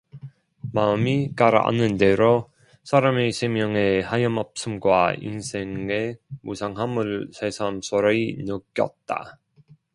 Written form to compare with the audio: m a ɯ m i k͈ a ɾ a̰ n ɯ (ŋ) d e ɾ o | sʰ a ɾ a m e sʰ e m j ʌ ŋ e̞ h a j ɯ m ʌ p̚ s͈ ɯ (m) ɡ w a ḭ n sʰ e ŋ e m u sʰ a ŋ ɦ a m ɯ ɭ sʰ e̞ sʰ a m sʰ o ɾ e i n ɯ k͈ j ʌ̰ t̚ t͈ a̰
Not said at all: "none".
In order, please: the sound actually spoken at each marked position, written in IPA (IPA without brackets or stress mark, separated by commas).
n, m